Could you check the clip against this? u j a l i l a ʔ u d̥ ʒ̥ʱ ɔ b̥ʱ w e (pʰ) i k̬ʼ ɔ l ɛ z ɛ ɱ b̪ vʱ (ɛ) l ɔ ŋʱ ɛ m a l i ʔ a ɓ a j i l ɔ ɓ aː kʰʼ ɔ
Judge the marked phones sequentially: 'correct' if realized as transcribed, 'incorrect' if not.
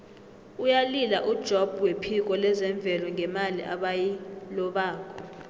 correct, correct

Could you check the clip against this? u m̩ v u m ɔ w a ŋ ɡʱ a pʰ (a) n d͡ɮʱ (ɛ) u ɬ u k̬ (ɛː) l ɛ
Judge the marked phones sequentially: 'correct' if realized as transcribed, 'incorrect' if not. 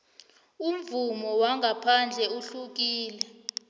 correct, correct, incorrect: iː

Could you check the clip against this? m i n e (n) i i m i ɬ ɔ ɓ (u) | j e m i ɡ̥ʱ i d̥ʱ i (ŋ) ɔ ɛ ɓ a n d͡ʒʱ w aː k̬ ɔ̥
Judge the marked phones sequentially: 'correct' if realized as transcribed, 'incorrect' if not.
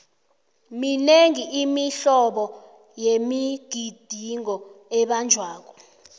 incorrect: ŋ, incorrect: ɔ, correct

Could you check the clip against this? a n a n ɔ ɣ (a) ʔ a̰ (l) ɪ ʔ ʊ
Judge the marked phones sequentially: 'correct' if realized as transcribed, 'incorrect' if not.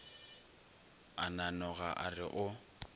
correct, incorrect: r

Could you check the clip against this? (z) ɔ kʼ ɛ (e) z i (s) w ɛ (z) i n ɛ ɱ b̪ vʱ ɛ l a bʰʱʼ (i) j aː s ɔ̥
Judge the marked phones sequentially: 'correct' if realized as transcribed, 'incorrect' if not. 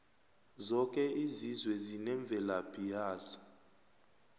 correct, incorrect: i, incorrect: z, correct, correct

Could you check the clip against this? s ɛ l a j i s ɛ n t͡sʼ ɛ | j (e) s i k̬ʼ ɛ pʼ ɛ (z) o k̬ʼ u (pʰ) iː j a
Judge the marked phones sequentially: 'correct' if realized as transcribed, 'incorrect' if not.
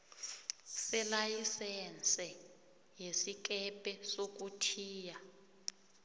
correct, incorrect: s, incorrect: tʰ

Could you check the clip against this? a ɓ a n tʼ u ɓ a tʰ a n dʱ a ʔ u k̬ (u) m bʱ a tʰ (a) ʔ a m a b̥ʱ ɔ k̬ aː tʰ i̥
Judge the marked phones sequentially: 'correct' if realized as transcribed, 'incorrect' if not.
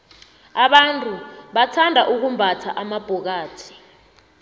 correct, correct

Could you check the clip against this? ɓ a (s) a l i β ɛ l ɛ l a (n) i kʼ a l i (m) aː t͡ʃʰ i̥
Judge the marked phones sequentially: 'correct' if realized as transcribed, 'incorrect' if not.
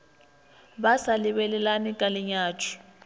correct, correct, incorrect: ɲ

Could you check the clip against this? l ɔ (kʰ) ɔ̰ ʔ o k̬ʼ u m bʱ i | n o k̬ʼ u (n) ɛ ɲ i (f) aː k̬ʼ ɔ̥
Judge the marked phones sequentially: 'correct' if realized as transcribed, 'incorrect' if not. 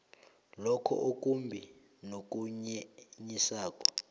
correct, incorrect: ɲ, incorrect: s

